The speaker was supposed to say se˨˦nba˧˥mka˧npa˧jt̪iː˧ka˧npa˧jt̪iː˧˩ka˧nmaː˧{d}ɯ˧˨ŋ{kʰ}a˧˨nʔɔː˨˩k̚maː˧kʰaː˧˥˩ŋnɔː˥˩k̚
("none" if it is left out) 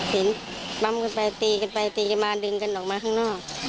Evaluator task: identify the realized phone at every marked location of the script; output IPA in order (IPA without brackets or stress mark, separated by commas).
d, k